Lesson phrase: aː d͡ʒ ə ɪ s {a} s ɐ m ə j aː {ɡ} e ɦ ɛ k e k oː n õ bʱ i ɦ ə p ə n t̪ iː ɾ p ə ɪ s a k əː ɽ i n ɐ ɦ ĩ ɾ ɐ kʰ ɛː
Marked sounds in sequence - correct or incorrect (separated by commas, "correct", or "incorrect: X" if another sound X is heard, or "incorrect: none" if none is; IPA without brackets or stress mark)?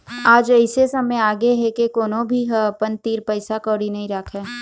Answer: incorrect: e, correct